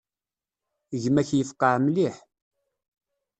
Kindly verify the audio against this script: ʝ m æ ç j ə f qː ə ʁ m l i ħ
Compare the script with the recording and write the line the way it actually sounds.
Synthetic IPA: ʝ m æ ç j ə f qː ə ʕ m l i ħ